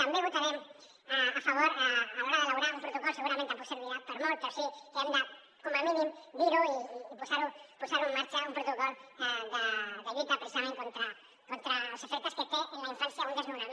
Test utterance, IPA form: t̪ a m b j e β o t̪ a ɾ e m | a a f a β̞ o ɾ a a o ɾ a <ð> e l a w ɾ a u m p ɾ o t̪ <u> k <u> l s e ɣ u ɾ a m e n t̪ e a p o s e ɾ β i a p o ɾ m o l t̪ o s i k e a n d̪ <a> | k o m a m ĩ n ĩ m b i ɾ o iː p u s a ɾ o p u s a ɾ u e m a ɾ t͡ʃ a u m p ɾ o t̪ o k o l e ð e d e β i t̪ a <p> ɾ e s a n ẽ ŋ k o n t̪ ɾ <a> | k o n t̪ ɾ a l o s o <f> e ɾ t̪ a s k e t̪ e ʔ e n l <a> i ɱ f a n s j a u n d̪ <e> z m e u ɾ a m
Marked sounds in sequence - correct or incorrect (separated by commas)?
correct, incorrect, incorrect, correct, correct, correct, correct, correct, correct